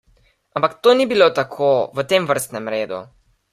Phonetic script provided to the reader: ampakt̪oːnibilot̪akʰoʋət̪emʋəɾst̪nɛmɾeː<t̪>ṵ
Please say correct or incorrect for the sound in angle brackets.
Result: incorrect